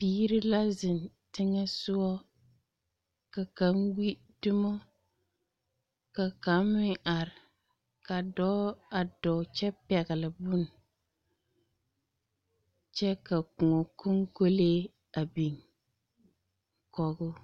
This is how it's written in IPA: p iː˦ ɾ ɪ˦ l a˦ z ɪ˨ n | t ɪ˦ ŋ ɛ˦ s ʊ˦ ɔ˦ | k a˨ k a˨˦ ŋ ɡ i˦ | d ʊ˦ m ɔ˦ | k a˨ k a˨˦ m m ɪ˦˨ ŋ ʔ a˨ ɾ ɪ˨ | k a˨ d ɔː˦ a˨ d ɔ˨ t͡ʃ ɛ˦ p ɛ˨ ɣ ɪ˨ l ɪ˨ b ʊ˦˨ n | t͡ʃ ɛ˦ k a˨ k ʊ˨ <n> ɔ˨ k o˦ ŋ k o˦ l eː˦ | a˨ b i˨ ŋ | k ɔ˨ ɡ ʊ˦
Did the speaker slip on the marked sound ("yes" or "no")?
yes